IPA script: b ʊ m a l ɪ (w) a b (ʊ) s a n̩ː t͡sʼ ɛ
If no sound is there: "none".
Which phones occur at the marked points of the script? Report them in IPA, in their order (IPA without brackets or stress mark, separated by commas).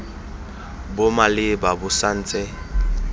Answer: b, ʊ